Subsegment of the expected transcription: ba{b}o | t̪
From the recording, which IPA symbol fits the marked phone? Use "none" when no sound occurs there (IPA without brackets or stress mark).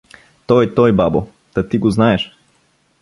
b